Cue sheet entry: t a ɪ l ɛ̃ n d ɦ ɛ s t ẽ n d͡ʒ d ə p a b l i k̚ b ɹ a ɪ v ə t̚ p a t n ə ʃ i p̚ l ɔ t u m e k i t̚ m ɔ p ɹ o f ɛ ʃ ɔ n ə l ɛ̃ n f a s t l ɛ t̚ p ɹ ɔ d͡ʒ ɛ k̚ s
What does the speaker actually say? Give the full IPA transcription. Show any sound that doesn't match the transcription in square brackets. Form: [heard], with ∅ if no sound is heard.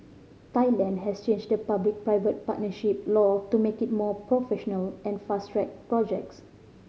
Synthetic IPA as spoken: t a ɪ l ɛ̃ n d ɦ ɛ s [t͡ʃ] ẽ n d͡ʒ d ə p a b l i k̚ [p] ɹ a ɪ v ə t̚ p a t n ə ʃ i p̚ l ɔ t u m e k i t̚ m ɔ p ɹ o f ɛ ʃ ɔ n ə l ɛ̃ n f a s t [ɹ] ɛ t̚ p ɹ ɔ d͡ʒ ɛ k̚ s